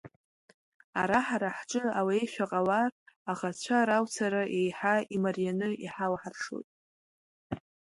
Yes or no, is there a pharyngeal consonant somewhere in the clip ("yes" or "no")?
yes